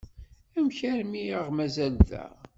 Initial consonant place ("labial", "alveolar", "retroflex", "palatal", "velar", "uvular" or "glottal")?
labial